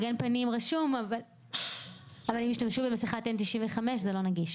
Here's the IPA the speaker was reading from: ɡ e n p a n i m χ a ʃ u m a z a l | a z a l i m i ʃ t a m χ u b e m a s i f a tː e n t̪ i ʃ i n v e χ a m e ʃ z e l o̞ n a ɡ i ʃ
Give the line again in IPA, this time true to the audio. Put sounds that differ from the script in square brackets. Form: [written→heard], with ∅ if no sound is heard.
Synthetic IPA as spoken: ɡ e n p a n i m [χ→ʁ] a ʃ u m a [z→v] a l | a [z→v] a l i m i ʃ t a m [χ→ʃ] u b e m a s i [f→χ] a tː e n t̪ i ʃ i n v e χ a m e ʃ z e l o̞ n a ɡ i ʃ